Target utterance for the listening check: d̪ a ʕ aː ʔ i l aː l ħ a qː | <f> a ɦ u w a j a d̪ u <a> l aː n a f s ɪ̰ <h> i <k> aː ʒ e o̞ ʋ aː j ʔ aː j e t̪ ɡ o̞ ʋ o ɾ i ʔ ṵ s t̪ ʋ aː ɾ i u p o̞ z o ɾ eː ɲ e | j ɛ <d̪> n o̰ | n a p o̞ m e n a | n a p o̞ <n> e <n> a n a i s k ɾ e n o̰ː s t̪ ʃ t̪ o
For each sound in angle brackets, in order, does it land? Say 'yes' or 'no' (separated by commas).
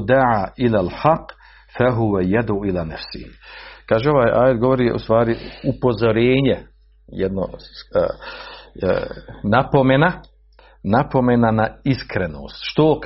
yes, no, yes, yes, yes, no, yes